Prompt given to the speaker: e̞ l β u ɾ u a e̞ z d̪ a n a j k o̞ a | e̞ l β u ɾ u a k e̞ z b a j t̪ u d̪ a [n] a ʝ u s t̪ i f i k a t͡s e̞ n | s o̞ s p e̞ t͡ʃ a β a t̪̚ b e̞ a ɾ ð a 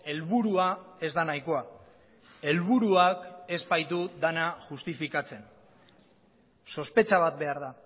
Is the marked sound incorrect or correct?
correct